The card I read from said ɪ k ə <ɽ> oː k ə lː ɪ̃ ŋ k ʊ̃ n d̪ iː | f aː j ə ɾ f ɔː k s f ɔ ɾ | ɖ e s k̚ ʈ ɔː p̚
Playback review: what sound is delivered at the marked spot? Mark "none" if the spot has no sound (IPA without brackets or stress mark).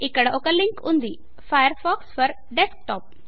ɽ